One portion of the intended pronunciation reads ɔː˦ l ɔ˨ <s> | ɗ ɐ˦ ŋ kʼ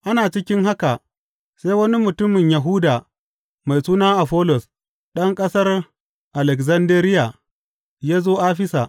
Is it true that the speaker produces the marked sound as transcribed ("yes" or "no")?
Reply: yes